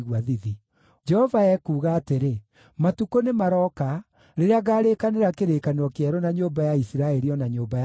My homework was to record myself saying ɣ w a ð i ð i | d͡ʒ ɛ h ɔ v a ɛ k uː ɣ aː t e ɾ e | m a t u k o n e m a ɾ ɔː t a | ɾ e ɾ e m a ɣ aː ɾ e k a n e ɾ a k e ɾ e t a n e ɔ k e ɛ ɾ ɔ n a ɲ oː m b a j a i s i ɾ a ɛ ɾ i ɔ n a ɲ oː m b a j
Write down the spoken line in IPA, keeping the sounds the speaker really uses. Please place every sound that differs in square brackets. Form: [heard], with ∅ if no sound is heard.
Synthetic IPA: ɣ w a ð i ð i | d͡ʒ ɛ h ɔ v a ɛ k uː ɣ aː t e ɾ e | m a t u k o n e m a ɾ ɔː [k] a | ɾ e ɾ e [∅] a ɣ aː ɾ e k a n e ɾ a k e ɾ e [k] a n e ɔ k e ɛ ɾ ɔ n a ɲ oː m b a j a i s i ɾ a ɛ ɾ i ɔ n a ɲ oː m b a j

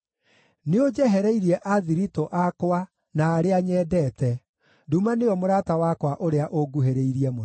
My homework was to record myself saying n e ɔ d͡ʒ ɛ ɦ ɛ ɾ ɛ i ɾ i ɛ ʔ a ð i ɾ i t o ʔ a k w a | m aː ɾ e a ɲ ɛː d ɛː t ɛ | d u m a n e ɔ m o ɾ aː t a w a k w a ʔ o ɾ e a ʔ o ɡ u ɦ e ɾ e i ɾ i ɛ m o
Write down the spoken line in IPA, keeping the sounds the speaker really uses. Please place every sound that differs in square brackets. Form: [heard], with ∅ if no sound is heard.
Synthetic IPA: n e [o] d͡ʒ ɛ ɦ ɛ ɾ ɛ i ɾ i ɛ ʔ a ð i ɾ i t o ʔ a k w a | [n] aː ɾ e a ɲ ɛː d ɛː t ɛ | d u m a n e ɔ m o ɾ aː t a w a k w a ʔ o ɾ e a ʔ o ɡ u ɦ e ɾ e i ɾ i ɛ m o

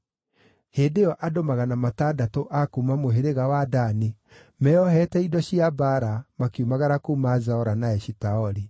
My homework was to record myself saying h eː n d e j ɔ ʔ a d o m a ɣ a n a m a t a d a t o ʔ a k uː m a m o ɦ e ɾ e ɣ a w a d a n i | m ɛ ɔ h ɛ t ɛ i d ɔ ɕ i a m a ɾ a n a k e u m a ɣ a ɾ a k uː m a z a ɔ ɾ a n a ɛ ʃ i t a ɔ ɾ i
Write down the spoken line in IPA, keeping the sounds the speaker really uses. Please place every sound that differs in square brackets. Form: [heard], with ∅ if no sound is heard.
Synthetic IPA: h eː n d e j ɔ ʔ a d o m a ɣ a n a m a t a d a t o ʔ a k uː m a m o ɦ e ɾ e ɣ a w a d a n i | m ɛ ɔ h ɛ t ɛ i d ɔ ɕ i a [b] a ɾ a [m] a k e u m a ɣ a ɾ a k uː m a z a ɔ ɾ a n a ɛ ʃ i t a ɔ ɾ i

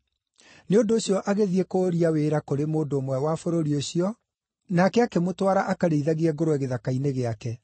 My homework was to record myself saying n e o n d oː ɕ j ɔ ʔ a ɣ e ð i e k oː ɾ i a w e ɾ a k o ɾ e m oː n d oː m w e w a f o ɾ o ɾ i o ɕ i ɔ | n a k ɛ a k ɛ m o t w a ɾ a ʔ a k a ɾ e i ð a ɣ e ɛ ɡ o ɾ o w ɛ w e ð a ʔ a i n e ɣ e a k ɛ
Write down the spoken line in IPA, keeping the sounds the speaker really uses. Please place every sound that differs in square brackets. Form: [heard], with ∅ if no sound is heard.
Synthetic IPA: n e o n d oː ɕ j ɔ ʔ a ɣ e ð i e k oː ɾ i a w e ɾ a k o ɾ e m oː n d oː m w [ɛ] w a f o ɾ o ɾ i o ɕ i ɔ | n a k ɛ a k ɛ m o t w a ɾ a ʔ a k a ɾ e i ð a ɣ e ɛ ɡ o ɾ o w ɛ [ɣ] e ð a [k] a i n e ɣ e a k ɛ

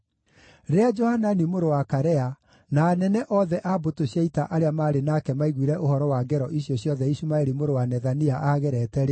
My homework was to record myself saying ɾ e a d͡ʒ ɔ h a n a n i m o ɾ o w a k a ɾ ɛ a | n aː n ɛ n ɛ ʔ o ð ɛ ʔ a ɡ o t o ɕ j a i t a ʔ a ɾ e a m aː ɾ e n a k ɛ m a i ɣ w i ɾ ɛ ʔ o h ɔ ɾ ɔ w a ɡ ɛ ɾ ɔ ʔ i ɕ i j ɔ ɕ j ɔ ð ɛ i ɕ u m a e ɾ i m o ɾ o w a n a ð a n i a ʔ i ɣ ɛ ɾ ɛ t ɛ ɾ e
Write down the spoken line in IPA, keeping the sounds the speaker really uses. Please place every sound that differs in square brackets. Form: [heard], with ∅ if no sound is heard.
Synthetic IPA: ɾ e a d͡ʒ ɔ h a n a n i m o ɾ o w a k a ɾ ɛ a | n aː n ɛ n ɛ ʔ [ɔ] ð ɛ ʔ a [b] o t o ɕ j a i t a ʔ a ɾ e a m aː ɾ e n a k ɛ m a i ɣ w i ɾ ɛ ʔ o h ɔ ɾ ɔ w a ɡ ɛ ɾ ɔ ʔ i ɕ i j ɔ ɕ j ɔ ð ɛ i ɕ u m a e ɾ i m o ɾ o w a n [ɛ] ð a n i a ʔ [a] ɣ ɛ ɾ ɛ t ɛ ɾ e

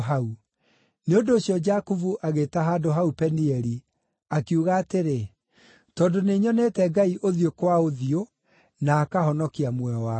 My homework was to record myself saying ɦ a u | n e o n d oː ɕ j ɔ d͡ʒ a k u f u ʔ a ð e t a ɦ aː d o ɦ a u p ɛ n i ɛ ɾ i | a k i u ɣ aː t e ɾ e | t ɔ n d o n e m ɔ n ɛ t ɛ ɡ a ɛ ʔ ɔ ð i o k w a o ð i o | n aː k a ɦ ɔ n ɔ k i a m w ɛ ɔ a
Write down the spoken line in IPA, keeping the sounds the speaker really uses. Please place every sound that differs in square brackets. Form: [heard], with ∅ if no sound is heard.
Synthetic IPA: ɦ a u | n e o n d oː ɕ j ɔ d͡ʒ a k u [v] u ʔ a [ɣ] e t a ɦ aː d o ɦ a u p ɛ n i ɛ ɾ i | a k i u ɣ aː t e ɾ e | t ɔ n d o n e [ɲ] ɔ n ɛ t ɛ ɡ a [i] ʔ [o] ð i o k w a o ð i o | n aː k a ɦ ɔ n ɔ k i a m w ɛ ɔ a

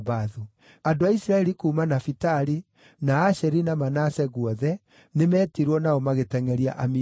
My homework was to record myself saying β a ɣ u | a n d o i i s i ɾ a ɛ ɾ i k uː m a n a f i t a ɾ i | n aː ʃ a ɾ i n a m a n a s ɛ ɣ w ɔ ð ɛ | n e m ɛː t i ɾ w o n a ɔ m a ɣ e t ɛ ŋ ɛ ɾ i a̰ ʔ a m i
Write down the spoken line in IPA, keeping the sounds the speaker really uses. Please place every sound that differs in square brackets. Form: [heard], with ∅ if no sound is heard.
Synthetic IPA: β a [ð] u | a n d o [a] i s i ɾ a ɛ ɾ i k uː m a n a f i t a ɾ i | n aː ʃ [ɛ] ɾ i n a m a n a s ɛ ɣ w ɔ ð ɛ | n e m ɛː t i ɾ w [ɔ] n a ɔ m a ɣ e t ɛ ŋ ɛ ɾ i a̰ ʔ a m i

